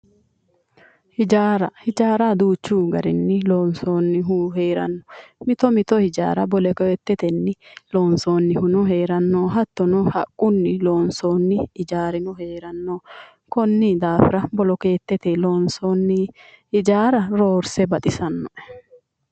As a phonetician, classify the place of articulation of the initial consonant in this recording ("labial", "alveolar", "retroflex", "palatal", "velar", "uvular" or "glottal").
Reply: glottal